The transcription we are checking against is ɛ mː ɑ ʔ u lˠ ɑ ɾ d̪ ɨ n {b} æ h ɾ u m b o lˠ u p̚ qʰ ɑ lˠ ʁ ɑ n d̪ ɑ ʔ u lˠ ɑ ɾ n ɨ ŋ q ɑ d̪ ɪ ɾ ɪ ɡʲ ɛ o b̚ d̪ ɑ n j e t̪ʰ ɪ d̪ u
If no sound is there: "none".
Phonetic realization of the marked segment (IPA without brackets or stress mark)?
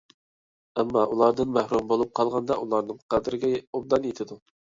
m